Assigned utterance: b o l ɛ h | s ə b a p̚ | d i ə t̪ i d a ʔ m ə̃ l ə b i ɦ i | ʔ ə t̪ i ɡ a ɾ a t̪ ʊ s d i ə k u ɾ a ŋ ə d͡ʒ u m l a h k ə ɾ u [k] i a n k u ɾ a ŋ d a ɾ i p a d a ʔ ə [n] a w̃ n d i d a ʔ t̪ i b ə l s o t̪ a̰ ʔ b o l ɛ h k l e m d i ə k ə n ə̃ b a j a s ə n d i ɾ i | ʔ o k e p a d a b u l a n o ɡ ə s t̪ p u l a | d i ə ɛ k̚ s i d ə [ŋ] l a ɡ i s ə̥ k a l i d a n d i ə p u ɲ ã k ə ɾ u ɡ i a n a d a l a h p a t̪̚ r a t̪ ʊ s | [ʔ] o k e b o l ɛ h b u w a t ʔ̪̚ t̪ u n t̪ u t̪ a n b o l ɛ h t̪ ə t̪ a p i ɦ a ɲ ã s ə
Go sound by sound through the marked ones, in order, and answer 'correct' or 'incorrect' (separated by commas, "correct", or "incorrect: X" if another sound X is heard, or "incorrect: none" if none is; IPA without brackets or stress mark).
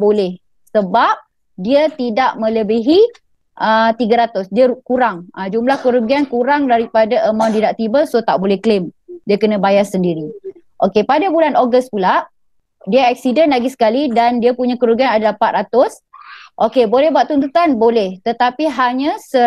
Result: incorrect: ɡ, incorrect: m, incorrect: n, correct